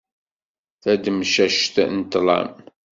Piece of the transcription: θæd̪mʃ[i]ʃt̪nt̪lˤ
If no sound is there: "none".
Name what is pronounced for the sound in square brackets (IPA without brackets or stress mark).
æ